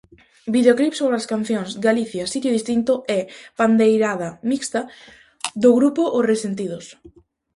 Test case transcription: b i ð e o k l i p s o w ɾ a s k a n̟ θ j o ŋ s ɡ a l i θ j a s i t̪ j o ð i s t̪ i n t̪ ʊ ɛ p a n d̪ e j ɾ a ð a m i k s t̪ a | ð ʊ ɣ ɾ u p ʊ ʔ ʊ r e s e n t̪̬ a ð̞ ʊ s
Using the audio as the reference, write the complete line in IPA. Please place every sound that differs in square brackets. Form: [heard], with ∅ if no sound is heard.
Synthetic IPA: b i ð e o k l i p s o [β] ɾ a s k a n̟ θ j o ŋ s ɡ a l i θ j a s i t̪ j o ð i s t̪ i n t̪ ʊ ɛ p a n d̪ e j ɾ a ð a m i k s t̪ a | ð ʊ ɣ ɾ u p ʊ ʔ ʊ r e s e n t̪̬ [i] ð̞ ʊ s